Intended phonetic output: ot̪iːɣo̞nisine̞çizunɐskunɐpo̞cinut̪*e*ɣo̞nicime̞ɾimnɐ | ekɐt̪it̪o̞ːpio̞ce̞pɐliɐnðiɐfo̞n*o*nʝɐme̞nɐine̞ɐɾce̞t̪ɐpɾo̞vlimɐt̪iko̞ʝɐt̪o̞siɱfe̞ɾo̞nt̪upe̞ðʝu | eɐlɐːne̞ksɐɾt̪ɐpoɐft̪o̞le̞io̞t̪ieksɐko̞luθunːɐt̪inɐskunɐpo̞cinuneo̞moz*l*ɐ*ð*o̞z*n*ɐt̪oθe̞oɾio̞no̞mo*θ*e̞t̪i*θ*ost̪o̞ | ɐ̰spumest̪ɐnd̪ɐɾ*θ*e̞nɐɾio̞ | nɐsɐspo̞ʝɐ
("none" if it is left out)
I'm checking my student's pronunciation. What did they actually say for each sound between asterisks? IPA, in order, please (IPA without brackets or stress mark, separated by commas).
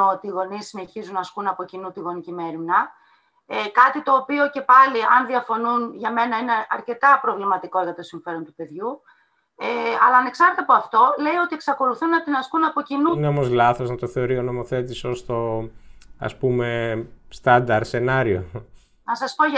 i, u, l, θ, n, θ, s, s